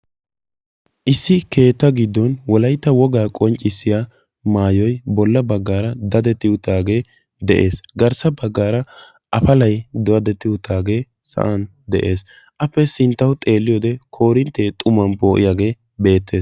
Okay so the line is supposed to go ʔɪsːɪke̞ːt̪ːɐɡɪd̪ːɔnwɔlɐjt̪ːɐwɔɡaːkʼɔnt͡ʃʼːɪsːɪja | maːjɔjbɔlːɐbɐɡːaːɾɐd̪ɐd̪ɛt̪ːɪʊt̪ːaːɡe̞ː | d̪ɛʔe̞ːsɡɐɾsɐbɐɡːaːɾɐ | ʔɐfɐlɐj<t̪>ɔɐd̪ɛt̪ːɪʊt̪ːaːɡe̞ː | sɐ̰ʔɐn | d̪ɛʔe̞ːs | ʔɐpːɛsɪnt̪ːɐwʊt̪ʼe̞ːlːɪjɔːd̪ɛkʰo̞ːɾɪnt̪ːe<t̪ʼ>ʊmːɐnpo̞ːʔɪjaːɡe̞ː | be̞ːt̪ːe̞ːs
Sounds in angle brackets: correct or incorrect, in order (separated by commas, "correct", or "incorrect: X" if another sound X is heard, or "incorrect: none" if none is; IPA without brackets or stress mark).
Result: incorrect: d̪, correct